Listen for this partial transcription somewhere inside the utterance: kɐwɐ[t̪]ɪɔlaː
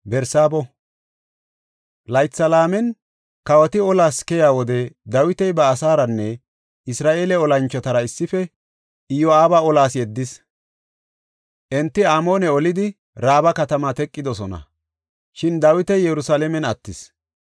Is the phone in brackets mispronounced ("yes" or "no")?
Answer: no